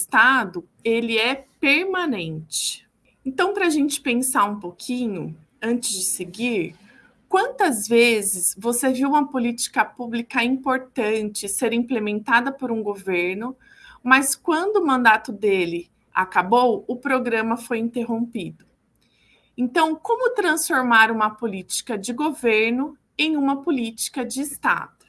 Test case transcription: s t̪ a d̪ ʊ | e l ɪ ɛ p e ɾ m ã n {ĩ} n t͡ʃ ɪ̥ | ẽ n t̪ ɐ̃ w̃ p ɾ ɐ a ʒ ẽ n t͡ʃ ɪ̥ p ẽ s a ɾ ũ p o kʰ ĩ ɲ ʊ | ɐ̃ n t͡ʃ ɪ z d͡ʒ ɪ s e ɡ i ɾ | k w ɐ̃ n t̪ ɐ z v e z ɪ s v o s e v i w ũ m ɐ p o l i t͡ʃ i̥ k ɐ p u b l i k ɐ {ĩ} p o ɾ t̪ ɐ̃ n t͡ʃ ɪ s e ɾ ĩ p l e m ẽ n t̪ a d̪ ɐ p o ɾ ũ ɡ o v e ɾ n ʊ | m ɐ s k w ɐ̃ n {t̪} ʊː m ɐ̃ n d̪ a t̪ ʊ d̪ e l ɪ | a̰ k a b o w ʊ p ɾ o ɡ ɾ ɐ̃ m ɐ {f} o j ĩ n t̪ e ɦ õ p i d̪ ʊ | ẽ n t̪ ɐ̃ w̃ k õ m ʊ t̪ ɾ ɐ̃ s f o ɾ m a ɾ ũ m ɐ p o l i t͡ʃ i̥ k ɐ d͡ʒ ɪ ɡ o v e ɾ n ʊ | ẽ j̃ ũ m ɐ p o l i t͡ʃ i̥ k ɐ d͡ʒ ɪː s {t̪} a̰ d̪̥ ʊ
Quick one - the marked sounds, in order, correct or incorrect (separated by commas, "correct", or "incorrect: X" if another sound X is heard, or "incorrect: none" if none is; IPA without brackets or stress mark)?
incorrect: ẽ, correct, incorrect: d̪, correct, correct